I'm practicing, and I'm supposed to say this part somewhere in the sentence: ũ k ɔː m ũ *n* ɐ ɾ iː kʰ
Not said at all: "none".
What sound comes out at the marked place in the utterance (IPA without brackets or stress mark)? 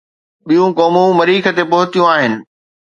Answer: m